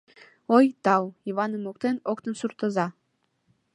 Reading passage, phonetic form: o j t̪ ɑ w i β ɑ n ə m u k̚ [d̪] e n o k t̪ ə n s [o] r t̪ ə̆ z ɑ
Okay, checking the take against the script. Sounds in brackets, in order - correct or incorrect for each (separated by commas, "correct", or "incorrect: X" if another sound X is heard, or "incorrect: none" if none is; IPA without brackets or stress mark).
incorrect: t̪, incorrect: u